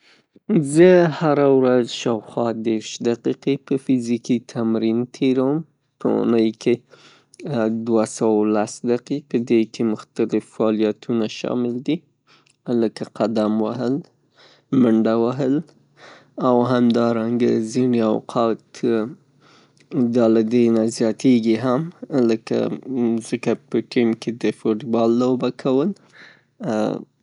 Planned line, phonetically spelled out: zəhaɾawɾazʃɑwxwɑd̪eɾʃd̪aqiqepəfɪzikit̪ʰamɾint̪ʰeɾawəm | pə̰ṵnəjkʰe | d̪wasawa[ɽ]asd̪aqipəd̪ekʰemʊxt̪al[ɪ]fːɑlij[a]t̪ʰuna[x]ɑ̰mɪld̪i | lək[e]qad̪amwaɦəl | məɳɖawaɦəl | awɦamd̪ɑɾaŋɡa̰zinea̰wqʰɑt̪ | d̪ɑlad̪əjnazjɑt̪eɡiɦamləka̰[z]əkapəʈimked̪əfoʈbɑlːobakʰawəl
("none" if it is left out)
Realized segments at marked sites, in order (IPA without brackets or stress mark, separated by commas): l, ɪ, a, ʃ, a, z